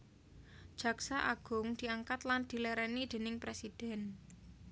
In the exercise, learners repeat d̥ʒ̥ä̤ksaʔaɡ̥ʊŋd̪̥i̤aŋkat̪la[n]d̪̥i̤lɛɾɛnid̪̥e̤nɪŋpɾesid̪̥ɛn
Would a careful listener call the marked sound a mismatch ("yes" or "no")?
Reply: no